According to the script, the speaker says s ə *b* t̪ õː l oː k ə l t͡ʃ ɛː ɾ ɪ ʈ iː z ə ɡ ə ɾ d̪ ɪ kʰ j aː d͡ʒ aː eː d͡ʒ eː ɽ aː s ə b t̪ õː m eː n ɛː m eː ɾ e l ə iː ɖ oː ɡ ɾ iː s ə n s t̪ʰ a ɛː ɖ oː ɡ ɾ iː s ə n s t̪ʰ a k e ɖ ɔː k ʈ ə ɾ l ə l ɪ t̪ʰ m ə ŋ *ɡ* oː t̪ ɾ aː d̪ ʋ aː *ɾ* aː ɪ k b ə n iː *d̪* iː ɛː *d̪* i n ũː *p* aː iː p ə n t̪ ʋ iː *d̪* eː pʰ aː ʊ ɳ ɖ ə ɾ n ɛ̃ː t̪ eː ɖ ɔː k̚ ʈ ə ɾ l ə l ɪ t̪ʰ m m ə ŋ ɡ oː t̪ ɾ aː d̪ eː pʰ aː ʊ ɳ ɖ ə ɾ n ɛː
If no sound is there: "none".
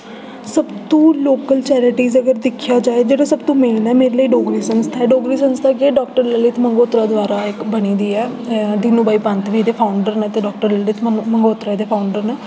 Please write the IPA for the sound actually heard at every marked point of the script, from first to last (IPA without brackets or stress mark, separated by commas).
b, ɡ, ɾ, d̪, d̪, b, d̪